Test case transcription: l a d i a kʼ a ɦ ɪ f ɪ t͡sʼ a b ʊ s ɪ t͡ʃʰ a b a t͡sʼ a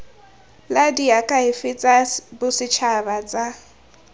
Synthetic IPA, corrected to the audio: l a d i a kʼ a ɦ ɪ f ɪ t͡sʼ a b ʊ s ɪ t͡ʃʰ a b a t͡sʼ a